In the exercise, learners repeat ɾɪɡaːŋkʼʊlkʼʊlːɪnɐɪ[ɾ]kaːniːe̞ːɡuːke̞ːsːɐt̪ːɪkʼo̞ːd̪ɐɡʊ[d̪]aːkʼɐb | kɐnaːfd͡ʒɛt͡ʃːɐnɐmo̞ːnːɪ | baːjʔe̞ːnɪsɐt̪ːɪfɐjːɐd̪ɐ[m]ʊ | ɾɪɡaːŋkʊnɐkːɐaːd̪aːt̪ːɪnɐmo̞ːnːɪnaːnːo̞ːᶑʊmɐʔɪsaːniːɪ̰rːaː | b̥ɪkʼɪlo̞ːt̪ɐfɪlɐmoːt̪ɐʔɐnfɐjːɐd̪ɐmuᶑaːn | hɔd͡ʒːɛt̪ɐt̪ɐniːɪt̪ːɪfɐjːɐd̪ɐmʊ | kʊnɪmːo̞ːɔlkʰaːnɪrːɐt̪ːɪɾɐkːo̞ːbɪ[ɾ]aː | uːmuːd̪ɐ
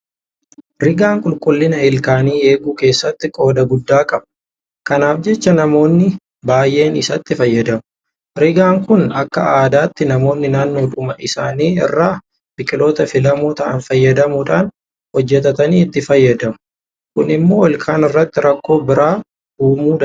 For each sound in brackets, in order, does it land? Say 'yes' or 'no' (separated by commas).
no, no, yes, yes